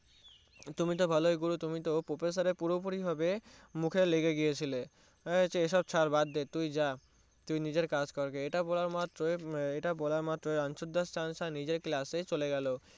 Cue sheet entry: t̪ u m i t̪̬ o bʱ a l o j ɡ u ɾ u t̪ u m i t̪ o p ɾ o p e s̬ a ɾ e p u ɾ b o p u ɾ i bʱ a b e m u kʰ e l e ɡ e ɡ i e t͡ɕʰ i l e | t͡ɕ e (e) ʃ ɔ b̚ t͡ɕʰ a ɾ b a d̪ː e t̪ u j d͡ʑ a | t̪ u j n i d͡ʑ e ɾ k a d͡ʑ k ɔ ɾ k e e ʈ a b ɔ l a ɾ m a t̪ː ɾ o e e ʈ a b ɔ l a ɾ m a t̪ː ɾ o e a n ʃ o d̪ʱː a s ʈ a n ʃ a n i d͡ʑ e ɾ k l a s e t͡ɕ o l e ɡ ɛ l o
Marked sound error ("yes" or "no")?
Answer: no